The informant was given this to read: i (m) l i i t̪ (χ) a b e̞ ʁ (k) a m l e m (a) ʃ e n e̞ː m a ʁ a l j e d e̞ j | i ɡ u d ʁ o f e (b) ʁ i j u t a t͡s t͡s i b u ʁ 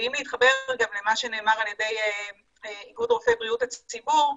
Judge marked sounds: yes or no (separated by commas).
yes, yes, no, yes, yes